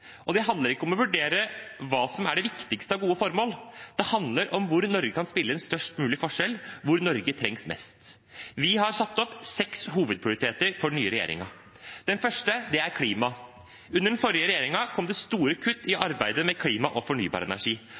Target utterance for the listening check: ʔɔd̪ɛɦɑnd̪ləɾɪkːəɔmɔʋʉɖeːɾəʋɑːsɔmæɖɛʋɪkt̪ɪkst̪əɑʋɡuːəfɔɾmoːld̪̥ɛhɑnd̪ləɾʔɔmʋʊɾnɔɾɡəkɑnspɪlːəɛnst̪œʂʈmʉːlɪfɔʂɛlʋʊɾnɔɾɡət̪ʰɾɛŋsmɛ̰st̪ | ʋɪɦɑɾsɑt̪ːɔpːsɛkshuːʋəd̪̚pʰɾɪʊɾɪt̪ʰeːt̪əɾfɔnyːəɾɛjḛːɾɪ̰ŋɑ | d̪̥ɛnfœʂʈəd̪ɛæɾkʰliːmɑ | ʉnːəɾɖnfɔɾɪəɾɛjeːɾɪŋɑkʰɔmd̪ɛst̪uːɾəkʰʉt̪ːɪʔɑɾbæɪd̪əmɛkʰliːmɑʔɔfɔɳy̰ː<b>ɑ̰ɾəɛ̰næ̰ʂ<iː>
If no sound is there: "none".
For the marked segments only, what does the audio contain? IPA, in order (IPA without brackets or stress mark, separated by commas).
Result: b, iː